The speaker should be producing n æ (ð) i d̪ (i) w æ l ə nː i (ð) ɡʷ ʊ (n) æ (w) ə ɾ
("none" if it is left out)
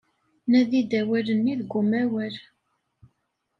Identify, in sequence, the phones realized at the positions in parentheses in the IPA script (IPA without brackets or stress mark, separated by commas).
ð, æ, ð, m, w